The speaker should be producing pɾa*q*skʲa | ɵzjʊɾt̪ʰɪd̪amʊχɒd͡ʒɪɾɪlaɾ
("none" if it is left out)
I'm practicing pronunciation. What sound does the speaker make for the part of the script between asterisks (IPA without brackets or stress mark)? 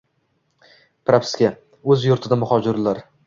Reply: p